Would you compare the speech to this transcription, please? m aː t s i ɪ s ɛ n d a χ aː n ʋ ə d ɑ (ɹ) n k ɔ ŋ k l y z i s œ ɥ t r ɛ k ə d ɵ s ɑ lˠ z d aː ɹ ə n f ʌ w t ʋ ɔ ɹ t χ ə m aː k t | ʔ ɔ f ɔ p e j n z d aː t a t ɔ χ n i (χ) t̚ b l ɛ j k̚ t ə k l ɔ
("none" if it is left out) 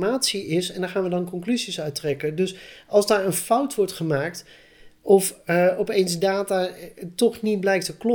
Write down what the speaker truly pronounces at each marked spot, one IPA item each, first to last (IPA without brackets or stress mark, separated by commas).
none, none